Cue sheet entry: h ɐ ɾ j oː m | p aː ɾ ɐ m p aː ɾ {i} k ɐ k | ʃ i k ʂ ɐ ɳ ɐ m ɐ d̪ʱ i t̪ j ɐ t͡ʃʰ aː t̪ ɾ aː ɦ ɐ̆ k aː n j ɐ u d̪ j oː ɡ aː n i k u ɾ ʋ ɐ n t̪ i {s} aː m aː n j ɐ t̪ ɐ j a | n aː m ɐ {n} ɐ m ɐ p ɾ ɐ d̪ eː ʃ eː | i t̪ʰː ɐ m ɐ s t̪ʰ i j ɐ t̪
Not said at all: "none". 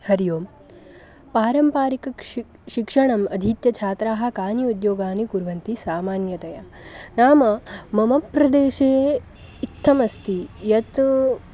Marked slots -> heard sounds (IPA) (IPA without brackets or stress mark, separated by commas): i, s, m